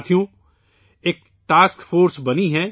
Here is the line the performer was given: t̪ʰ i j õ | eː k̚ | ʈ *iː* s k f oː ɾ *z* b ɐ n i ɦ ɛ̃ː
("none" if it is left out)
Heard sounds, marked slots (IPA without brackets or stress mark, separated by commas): aː, s